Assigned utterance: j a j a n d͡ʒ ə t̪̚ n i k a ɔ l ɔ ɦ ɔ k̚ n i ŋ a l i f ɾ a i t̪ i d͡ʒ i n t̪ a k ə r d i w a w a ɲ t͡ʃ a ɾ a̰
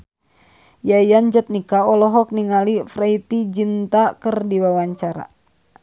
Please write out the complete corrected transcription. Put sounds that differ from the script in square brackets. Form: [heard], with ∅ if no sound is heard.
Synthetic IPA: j a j a n d͡ʒ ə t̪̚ n i k a ɔ l ɔ ɦ ɔ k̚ n i ŋ a l i f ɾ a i t̪ i d͡ʒ i n t̪ a k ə r d i w a w a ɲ t͡ʃ a ɾ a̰